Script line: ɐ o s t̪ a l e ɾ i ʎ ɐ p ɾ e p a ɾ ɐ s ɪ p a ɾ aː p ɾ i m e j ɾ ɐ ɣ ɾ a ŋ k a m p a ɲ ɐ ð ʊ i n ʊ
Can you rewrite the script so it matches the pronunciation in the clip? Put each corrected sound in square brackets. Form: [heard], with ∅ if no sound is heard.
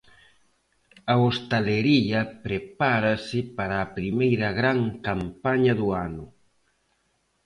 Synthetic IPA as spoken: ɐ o s t̪ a l e ɾ i ʎ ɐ p ɾ e p a ɾ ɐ s ɪ p a ɾ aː p ɾ i m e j ɾ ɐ ɣ ɾ a ŋ k a m p a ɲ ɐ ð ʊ [a] n ʊ